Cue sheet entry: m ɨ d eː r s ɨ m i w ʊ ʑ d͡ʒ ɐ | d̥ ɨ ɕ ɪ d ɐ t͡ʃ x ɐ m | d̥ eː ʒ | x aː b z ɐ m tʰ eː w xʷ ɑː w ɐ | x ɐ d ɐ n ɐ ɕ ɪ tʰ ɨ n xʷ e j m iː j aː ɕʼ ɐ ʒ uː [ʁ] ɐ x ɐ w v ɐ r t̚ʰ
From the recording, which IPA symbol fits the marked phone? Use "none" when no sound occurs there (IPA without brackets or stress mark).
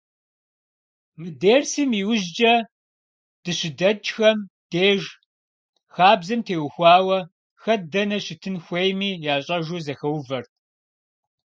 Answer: z